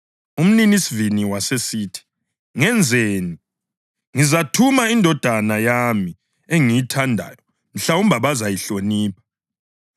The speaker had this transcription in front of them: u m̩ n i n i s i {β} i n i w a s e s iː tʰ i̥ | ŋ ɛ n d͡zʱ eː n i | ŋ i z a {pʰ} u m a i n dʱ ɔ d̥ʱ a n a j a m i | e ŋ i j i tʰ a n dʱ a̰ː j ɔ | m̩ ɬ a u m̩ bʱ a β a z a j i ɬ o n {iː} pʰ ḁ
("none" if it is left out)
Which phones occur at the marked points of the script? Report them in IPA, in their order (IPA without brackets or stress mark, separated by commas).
v, tʰ, iː